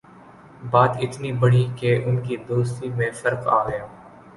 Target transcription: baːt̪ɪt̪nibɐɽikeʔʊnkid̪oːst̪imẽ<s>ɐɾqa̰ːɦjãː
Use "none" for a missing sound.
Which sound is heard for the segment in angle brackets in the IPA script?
f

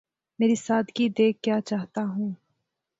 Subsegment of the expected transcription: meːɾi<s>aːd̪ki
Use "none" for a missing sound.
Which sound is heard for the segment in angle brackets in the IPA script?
s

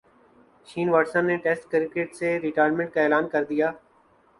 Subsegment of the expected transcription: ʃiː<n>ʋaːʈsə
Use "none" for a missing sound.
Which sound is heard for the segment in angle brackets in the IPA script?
n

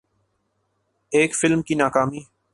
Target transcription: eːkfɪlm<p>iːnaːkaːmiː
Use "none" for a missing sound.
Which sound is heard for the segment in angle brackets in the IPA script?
k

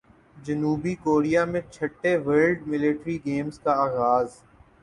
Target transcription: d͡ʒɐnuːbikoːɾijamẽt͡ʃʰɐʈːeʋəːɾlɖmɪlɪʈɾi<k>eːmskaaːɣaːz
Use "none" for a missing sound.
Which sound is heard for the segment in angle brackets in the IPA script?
ɡ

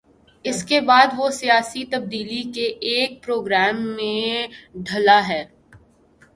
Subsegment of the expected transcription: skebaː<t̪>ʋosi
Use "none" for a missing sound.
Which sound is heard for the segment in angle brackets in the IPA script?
d̪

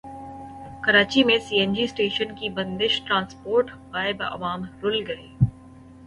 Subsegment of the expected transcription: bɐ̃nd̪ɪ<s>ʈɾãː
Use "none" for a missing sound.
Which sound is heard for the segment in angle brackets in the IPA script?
ʃ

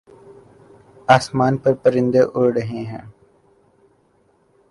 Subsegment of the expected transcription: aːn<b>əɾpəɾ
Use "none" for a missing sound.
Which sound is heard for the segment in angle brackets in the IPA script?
p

